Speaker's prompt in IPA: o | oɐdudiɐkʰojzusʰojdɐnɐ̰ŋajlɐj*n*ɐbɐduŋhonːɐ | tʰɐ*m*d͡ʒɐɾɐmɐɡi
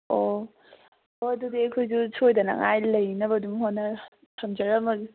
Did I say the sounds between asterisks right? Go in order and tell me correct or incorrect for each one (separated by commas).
correct, correct